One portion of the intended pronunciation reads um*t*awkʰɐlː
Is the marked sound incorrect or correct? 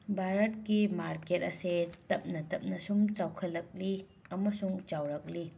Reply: incorrect